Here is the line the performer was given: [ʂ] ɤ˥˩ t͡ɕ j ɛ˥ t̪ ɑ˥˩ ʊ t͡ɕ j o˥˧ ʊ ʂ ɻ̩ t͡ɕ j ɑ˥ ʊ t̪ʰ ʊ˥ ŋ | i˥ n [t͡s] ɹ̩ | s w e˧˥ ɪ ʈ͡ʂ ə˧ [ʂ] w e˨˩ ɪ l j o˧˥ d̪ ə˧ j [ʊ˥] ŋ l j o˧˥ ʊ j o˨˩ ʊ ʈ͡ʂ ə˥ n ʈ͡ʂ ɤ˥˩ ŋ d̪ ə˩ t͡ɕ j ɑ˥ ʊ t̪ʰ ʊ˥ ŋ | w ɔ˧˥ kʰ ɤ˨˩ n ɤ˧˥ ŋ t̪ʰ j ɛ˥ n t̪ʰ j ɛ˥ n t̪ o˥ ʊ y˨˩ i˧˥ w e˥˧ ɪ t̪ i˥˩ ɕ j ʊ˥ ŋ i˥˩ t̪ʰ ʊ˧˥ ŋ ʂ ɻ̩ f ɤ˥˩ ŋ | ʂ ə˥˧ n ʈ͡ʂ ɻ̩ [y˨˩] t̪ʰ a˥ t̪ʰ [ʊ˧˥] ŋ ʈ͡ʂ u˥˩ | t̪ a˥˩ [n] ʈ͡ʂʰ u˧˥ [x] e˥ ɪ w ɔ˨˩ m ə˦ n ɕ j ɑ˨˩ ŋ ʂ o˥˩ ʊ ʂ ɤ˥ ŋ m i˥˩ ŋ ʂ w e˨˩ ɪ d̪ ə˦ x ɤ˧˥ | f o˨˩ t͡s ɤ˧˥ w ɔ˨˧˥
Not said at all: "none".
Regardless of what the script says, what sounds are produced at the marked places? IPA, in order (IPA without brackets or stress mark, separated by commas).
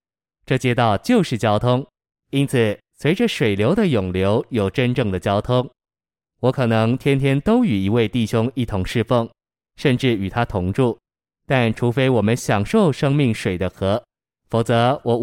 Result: ʈ͡ʂ, t͡sʰ, ʂ, ʊ˨˩, y˨˩, ʊ˧˥, n, f